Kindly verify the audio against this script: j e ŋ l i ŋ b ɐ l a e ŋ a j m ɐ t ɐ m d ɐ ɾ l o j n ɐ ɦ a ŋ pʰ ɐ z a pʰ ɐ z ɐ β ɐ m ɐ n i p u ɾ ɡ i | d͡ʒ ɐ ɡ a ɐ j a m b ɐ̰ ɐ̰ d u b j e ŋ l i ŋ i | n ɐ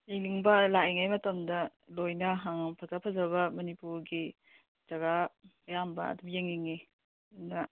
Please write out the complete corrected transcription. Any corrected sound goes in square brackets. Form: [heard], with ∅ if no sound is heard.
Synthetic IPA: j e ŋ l i ŋ b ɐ l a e ŋ a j m ɐ t ɐ m d ɐ [∅] l o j n ɐ ɦ a ŋ pʰ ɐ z a pʰ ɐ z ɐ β ɐ m ɐ n i p u ɾ ɡ i | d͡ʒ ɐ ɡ a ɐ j a m b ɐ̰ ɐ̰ d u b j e ŋ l i ŋ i | n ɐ